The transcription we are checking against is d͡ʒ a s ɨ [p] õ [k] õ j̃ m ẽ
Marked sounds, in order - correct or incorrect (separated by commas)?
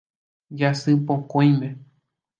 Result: correct, correct